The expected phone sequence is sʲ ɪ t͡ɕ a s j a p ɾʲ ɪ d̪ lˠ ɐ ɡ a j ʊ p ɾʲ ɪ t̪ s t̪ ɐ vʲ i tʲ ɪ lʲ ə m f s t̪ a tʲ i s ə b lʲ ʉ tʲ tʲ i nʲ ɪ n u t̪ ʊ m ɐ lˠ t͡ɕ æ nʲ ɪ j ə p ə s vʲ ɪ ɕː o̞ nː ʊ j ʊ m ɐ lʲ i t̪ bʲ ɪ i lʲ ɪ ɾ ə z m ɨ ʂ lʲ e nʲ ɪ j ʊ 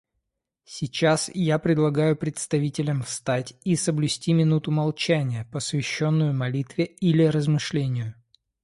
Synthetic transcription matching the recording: sʲ ɪ t͡ɕ a s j a p ɾʲ ɪ d̪ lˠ ɐ ɡ a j ʊ p ɾʲ ɪ t̪ s t̪ ɐ vʲ i tʲ ɪ lʲ ə m f s t̪ a tʲ i s ə b lʲ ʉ sʲ tʲ i mʲ ɪ n u t̪ ʊ m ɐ lˠ t͡ɕ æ nʲ ɪ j ə p ə s vʲ ɪ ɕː o̞ nː ʊ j ʊ m ɐ lʲ i t̪ vʲ ɪ i lʲ ɪ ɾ ə z m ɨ ʂ lʲ e nʲ ɪ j ʊ